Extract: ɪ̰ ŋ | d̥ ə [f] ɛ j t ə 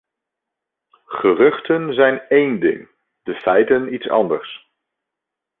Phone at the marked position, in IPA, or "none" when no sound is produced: f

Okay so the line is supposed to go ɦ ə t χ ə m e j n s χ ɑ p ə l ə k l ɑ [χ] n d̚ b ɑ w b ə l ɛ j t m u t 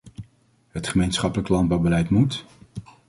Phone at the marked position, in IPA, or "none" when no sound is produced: none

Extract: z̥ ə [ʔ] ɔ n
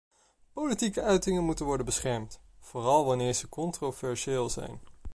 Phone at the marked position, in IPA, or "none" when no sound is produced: k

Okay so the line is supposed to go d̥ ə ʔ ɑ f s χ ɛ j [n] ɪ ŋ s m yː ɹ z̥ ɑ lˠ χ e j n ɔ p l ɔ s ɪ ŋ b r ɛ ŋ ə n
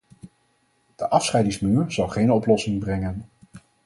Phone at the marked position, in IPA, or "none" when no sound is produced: d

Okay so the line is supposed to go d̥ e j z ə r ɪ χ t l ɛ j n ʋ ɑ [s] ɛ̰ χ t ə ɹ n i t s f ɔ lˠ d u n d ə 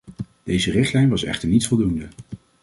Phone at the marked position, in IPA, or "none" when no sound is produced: s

